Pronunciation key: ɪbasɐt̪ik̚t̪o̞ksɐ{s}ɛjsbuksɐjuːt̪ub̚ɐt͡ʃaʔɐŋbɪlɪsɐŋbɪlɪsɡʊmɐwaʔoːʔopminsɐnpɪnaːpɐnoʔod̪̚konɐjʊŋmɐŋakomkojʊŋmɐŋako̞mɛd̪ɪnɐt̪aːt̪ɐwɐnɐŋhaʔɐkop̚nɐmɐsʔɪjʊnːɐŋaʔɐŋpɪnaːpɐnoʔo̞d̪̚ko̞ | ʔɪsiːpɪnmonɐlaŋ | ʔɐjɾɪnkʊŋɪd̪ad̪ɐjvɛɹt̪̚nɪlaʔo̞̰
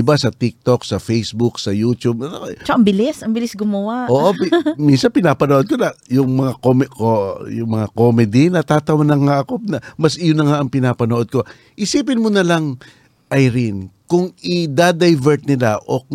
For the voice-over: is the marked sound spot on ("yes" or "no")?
no